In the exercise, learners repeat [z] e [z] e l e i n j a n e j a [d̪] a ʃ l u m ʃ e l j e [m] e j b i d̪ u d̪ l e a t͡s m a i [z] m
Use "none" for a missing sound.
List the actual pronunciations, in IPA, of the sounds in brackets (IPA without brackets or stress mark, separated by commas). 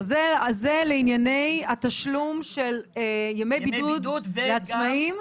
z, z, t̪, m, none